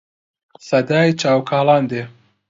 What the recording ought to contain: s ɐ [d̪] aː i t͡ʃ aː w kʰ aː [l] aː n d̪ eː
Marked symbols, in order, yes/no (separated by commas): yes, yes